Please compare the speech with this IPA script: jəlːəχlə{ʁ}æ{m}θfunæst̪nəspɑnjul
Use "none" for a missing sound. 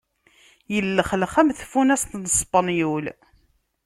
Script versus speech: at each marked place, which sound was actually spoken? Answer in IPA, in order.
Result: χ, m

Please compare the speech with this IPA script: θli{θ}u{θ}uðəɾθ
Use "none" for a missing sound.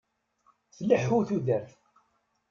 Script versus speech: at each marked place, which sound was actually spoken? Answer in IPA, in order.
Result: ħ, θ

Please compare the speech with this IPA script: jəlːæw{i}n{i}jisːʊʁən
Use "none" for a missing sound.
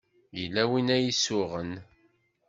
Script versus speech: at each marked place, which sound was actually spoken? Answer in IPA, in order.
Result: i, æ

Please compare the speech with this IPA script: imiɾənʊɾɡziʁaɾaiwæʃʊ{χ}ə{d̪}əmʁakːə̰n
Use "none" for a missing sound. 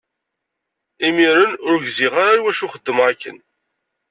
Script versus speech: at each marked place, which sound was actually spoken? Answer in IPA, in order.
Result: χ, d̪ː

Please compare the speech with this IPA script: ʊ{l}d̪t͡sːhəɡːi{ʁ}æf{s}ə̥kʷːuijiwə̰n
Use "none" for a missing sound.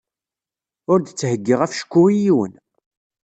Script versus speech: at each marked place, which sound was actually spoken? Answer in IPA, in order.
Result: ɾ, ʁ, ʃ

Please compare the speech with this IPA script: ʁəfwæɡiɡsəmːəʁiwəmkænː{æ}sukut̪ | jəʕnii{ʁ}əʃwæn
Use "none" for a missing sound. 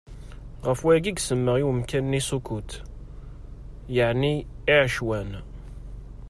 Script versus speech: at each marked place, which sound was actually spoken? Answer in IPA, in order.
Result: i, ʕ

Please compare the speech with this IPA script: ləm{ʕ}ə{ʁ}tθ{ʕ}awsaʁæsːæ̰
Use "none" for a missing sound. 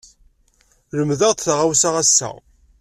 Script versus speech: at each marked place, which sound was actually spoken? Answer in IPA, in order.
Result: ð, ʁ, ʁ

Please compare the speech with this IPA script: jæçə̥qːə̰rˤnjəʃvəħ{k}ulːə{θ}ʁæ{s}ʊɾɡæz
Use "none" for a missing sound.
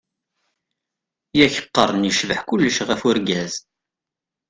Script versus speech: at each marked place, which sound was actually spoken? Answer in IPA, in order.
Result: k, ʃ, f

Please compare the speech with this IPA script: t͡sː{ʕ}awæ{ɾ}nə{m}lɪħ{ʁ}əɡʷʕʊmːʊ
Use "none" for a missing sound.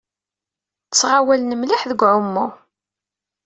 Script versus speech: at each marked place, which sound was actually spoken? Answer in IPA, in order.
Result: ʁ, l, m, ð

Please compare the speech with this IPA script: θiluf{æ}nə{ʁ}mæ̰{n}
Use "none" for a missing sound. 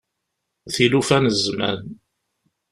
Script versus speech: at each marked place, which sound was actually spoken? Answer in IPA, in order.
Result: æ, z, n

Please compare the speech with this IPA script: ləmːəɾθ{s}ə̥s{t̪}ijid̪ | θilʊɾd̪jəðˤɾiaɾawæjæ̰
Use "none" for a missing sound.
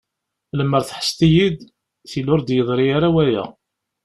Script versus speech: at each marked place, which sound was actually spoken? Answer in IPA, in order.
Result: ħ, t̪

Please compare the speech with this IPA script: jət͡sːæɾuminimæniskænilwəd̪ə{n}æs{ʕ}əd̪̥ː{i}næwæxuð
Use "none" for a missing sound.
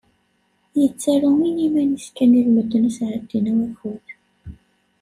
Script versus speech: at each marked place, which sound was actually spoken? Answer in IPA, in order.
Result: n, ʕ, i

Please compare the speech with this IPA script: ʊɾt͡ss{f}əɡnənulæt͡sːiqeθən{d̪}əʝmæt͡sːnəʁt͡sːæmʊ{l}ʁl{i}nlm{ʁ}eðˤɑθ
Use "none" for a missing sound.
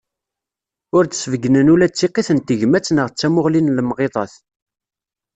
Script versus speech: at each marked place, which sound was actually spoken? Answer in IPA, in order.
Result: v, t̪, none, i, ʁ

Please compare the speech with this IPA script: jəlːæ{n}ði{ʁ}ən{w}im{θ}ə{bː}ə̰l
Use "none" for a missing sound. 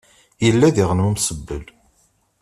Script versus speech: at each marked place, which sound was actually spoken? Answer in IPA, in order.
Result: none, ʁ, w, s, bː

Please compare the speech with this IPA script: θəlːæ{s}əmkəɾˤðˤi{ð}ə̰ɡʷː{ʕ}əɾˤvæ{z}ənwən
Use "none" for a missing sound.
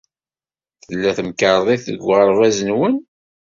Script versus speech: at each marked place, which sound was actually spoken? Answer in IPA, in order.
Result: θ, θ, ʁ, z

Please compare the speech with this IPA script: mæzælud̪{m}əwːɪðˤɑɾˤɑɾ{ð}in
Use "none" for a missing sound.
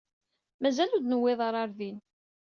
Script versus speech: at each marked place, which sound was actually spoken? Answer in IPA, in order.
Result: n, ð

